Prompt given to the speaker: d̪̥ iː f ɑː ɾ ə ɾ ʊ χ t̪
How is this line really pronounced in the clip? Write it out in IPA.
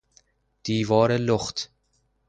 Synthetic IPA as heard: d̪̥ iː v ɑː ɾ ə l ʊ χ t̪